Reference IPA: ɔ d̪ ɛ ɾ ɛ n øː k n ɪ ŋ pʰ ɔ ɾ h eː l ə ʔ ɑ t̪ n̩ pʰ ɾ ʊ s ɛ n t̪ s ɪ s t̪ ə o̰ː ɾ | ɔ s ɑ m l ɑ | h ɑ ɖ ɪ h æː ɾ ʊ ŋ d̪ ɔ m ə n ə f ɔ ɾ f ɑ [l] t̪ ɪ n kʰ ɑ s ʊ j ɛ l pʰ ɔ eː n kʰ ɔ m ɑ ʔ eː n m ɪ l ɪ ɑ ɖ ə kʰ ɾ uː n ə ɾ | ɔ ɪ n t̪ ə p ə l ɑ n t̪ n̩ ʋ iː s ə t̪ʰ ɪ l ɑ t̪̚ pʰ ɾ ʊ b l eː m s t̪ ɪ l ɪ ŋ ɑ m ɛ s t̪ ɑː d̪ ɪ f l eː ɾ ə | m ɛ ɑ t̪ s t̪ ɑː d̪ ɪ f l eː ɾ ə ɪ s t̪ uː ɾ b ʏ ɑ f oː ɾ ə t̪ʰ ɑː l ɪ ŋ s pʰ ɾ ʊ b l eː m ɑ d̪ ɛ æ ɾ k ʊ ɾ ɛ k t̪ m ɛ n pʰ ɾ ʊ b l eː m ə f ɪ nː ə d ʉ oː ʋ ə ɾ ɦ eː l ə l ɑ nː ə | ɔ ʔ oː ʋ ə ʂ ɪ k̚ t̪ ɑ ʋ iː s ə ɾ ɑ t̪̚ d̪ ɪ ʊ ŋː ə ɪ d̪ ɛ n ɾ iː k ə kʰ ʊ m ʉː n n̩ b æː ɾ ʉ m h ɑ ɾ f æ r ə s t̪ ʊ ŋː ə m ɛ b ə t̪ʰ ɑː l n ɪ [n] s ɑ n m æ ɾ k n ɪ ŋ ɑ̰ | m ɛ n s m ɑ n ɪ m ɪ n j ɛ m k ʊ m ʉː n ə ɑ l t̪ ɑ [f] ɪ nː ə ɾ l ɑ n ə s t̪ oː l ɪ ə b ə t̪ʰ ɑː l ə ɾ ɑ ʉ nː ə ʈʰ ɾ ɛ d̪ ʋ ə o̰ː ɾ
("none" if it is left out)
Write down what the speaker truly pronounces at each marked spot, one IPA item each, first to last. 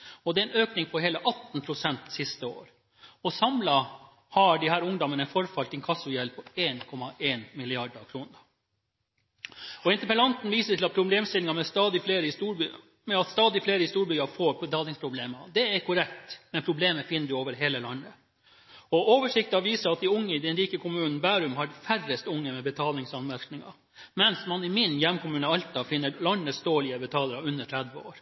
l, ŋ, f

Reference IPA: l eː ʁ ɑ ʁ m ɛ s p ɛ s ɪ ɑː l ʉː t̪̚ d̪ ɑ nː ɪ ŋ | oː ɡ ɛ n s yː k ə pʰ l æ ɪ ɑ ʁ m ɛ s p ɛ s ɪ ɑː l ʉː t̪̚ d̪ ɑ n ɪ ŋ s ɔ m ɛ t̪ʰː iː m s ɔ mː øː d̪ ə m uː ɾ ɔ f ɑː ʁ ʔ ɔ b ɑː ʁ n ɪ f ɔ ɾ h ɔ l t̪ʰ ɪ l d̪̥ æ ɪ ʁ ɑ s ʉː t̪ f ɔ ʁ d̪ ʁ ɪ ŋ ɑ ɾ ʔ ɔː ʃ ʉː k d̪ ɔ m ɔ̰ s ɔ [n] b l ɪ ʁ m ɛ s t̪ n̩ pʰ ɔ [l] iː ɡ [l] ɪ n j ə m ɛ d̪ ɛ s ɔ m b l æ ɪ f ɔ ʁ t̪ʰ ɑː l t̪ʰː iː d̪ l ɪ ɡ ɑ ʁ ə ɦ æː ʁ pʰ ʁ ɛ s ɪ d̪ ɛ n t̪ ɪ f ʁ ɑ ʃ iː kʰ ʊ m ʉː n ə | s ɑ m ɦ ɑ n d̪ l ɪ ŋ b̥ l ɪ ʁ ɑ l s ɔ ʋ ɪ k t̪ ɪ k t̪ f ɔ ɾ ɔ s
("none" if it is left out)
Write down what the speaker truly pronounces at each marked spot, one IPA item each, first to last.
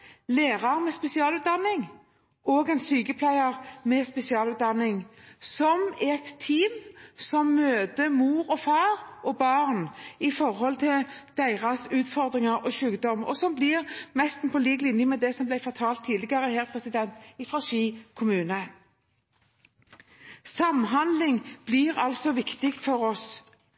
m, l, l

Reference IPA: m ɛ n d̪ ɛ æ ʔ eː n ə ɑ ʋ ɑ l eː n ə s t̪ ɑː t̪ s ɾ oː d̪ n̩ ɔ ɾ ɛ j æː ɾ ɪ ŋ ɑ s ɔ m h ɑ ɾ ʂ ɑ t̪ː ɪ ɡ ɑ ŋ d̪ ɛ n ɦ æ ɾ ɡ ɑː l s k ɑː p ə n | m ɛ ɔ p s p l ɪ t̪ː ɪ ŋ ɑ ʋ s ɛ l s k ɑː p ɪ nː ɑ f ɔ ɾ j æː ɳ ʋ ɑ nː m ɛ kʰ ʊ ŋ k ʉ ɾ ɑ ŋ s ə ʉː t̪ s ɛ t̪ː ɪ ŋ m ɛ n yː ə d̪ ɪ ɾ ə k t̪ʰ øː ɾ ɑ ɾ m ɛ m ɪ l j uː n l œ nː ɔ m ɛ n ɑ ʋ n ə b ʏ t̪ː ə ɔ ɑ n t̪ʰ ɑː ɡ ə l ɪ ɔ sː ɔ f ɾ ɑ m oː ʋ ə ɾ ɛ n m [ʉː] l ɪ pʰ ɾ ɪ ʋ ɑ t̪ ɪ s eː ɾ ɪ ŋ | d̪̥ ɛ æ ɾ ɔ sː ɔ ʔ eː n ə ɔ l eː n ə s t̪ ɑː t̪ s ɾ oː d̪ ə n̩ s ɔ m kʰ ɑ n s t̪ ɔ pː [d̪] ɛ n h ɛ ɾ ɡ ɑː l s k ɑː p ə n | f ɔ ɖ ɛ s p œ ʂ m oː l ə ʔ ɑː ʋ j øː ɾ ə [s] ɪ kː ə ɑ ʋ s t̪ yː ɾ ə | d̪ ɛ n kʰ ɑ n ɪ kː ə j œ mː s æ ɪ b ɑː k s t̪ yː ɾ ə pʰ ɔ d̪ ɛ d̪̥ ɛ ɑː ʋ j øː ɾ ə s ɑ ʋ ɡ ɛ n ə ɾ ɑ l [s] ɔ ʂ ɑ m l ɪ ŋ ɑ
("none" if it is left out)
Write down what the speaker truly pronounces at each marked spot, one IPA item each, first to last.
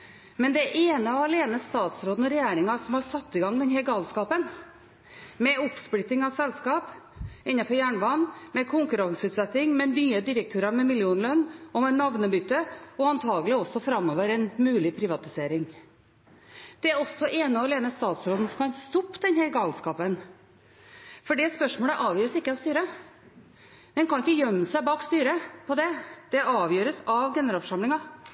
ʉː, d̪, s, f

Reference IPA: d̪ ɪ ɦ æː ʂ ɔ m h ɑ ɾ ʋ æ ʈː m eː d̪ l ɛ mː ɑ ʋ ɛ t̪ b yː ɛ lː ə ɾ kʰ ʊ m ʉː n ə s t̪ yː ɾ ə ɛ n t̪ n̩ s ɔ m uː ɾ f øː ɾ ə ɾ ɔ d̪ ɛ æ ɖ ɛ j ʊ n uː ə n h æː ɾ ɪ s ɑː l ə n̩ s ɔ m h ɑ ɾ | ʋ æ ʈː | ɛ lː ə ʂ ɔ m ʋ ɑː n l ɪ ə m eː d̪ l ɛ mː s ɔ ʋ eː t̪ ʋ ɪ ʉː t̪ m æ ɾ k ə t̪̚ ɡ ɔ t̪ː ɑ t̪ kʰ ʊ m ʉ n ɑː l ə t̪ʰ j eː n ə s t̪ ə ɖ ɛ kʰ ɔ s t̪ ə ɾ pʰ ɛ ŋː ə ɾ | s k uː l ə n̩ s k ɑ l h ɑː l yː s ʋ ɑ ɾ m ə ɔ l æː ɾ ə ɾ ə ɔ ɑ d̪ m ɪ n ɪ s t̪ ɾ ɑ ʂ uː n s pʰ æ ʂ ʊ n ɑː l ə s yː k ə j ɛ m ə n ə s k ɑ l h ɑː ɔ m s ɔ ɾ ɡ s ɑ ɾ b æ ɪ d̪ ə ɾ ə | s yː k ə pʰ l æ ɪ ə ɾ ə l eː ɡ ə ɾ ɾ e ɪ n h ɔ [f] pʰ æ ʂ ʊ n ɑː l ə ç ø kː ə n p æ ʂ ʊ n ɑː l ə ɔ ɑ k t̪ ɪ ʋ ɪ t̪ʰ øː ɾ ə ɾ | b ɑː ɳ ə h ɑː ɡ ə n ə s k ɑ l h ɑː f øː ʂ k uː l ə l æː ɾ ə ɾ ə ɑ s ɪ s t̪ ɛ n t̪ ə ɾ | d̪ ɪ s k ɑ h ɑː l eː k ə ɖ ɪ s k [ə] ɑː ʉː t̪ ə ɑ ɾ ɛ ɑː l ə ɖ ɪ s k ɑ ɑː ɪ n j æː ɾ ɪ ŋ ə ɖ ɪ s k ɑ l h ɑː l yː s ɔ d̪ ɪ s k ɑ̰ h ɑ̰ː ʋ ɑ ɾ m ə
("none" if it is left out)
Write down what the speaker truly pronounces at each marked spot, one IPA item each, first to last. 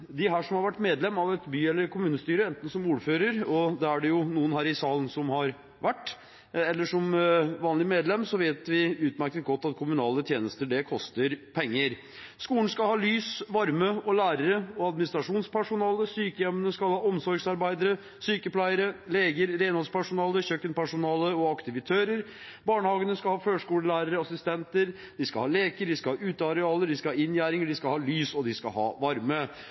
s, ɑ

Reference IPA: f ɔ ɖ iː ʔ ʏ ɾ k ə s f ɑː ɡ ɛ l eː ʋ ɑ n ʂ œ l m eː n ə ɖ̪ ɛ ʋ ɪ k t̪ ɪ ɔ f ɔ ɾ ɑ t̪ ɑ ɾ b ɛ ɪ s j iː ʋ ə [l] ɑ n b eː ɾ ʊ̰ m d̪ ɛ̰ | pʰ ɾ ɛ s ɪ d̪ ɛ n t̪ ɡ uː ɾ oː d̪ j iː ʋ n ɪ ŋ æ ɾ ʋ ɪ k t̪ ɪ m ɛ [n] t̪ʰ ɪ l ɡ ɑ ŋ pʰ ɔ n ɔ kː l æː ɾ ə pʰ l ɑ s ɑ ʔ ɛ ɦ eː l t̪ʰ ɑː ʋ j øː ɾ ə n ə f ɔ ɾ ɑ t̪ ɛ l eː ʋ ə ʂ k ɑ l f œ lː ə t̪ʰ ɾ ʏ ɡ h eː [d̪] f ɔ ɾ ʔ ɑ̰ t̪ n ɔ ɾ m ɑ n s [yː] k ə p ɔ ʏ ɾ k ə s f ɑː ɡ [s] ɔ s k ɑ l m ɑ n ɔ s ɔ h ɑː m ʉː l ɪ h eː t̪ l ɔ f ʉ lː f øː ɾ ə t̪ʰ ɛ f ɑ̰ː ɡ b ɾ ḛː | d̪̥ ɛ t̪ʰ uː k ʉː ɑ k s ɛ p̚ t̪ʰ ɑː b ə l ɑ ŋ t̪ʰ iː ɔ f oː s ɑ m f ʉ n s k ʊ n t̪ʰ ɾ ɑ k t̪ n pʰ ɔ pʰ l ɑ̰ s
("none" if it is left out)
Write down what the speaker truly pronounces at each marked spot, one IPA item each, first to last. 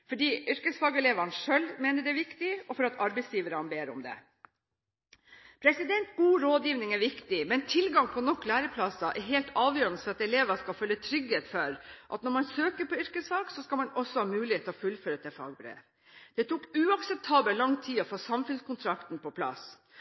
ɾ, n, t̪, øː, s

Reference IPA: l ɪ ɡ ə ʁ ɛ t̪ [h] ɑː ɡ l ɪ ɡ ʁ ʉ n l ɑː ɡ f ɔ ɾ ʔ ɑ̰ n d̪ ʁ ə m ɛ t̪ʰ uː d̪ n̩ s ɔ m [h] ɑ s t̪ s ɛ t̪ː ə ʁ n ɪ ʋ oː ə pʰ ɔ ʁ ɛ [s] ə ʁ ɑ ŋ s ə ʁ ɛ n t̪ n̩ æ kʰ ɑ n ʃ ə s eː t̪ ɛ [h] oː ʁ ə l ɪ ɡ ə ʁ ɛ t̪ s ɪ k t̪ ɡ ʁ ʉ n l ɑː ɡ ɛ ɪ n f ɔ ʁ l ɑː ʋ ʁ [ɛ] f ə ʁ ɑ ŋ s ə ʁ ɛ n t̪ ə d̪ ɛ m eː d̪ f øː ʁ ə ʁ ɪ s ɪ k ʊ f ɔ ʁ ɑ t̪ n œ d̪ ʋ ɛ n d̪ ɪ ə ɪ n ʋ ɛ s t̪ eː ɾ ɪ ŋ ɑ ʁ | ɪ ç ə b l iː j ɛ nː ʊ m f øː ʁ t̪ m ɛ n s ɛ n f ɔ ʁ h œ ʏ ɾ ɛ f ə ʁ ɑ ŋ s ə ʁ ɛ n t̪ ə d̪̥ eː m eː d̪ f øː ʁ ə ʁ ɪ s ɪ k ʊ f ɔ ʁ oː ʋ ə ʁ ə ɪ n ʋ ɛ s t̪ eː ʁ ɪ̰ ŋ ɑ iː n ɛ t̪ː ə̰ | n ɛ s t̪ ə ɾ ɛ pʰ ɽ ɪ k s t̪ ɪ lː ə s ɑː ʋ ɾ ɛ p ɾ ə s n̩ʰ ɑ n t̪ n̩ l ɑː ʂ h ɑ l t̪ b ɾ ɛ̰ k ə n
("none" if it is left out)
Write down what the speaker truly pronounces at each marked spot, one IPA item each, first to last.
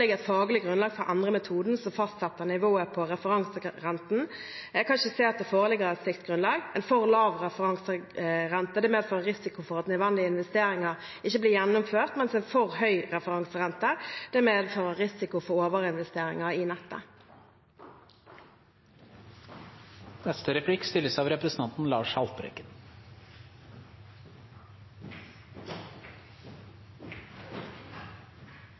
f, f, f, f, ɛ

